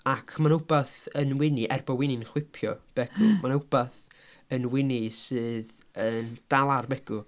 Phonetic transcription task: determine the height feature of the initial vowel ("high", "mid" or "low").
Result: low